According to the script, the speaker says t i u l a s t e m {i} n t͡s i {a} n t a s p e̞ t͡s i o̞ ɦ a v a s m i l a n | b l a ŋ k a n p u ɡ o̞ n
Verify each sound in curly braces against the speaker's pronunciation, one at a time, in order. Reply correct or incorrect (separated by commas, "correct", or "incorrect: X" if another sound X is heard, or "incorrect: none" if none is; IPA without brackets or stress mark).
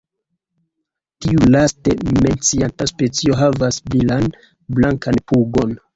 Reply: incorrect: e, correct